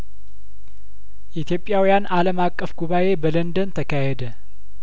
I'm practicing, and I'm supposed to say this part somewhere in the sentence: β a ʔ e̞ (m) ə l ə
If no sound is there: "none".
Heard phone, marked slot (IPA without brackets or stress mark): b